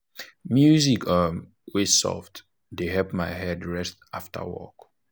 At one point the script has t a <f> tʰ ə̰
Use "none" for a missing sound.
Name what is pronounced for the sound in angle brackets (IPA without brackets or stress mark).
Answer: f